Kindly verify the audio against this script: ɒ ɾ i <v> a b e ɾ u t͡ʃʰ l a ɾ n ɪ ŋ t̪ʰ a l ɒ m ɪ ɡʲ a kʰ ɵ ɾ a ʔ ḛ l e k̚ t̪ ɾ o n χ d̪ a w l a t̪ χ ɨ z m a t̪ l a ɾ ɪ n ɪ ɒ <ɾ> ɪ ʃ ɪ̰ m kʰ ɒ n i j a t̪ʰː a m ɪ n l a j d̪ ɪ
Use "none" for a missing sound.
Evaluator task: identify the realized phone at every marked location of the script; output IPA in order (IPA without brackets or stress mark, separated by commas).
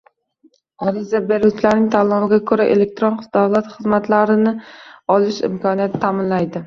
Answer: z, l